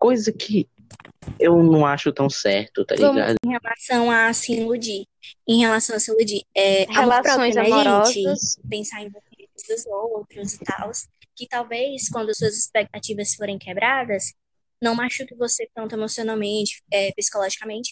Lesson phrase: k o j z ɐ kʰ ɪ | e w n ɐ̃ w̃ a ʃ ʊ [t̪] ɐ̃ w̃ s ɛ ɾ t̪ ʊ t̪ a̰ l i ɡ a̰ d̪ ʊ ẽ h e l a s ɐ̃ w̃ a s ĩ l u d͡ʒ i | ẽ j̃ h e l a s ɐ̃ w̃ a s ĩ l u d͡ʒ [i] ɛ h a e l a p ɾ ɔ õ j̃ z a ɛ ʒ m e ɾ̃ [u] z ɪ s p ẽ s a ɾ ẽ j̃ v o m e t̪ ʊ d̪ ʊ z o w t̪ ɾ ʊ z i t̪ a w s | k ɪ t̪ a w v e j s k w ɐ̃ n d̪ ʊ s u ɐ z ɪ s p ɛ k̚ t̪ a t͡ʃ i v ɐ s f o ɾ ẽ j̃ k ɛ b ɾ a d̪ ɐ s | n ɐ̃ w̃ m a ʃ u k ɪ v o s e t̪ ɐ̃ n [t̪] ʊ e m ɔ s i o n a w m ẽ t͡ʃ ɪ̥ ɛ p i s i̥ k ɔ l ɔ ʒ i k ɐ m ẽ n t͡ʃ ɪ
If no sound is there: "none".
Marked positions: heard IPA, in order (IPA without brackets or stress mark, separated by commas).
t̪, i, ɔ, t̪